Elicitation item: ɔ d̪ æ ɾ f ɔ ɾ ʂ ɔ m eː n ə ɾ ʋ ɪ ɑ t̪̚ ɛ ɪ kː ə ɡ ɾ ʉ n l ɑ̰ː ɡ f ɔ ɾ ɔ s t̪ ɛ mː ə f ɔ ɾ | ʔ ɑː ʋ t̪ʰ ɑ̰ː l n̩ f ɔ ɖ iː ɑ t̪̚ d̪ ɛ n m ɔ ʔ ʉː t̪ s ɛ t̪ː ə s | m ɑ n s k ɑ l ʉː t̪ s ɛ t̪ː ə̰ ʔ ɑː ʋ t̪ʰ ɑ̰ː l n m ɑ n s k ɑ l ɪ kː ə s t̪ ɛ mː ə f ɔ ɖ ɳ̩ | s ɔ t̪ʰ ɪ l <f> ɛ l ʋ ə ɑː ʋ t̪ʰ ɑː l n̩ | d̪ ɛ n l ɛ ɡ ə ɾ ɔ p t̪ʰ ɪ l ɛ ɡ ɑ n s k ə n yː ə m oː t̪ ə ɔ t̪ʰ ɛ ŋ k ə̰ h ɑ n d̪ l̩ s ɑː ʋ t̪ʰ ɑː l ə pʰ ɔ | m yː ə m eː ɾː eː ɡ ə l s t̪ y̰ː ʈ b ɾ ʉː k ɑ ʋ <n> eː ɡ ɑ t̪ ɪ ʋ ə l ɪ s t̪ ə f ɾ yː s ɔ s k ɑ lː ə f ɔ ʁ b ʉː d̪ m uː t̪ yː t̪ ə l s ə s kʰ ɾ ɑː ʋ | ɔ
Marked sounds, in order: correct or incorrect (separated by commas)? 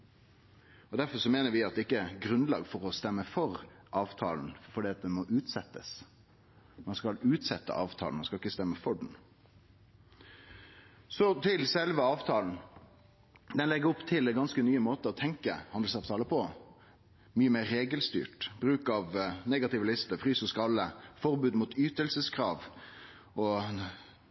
incorrect, correct